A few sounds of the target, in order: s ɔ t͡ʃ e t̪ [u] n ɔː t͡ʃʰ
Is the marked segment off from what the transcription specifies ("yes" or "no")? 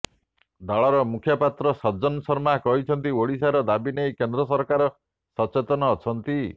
yes